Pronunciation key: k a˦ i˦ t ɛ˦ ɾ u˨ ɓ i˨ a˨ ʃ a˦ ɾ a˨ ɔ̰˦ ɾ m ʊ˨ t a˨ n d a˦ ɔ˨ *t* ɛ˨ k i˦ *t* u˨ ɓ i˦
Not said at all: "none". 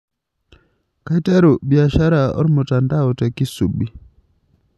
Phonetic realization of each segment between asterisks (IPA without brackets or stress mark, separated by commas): t, s